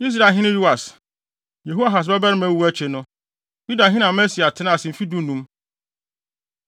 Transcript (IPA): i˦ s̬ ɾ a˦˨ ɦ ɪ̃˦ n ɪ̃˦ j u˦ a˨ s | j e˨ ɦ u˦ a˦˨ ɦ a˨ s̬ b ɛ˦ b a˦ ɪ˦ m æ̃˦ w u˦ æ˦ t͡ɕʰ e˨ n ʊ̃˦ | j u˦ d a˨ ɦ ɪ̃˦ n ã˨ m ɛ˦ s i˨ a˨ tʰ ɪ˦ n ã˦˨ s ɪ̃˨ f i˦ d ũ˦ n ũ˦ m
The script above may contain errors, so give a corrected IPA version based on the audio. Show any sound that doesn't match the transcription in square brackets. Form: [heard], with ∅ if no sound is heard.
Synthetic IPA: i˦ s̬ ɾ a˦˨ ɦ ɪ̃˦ n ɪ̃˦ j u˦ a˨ s | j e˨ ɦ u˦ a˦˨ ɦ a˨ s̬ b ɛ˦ b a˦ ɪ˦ m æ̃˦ w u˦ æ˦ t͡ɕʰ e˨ n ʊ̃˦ | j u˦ d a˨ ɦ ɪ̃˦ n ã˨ m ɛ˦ s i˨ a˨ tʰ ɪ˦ n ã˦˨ s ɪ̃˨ f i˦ d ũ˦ n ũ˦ m